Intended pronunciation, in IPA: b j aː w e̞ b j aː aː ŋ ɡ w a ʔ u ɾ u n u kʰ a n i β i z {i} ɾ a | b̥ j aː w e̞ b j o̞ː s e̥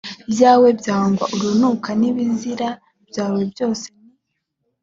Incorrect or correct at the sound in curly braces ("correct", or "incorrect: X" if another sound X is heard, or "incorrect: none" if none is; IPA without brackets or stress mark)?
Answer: correct